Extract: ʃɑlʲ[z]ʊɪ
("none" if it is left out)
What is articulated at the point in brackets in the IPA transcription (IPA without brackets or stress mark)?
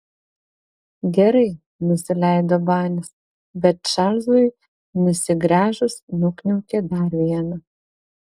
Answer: z